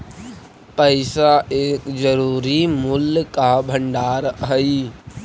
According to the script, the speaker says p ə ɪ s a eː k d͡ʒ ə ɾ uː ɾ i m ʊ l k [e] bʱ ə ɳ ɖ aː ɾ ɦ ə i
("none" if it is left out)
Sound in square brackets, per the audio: a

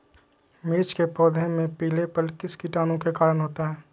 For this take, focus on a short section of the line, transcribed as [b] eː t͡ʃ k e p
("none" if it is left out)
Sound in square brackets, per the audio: m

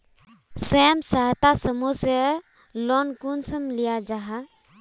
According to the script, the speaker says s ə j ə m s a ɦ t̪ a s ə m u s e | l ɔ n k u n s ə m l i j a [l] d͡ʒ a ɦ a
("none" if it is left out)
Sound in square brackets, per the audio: none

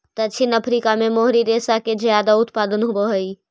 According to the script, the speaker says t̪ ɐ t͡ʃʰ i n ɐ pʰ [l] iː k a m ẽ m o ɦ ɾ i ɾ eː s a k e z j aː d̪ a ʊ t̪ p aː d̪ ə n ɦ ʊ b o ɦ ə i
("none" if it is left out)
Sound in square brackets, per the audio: ɾ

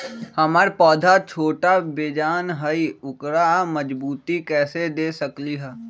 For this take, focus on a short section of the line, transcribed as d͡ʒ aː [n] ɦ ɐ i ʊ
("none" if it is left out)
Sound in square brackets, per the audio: n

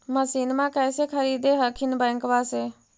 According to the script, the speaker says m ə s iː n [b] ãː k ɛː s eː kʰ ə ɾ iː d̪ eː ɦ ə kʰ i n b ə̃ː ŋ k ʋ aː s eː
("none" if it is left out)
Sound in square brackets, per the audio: m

